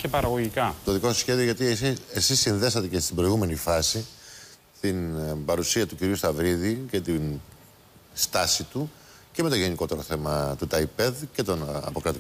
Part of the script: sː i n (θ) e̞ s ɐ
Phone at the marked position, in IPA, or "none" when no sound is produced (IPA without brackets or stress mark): ð